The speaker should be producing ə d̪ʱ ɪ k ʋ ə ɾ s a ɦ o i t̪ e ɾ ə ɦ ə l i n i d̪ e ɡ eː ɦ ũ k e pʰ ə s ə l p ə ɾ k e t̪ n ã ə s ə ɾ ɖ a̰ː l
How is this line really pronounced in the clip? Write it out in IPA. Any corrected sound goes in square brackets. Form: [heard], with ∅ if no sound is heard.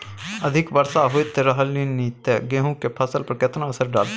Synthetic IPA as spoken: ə d̪ʱ ɪ k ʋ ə ɾ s a ɦ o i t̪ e ɾ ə ɦ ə l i n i [t̪] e ɡ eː ɦ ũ k e pʰ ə s ə l p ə ɾ k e t̪ n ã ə s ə ɾ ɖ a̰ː l